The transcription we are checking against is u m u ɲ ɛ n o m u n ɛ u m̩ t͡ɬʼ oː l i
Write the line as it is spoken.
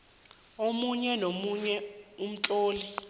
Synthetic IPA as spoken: o m u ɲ ɛ n o m u ɲ ɛ u m̩ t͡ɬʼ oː l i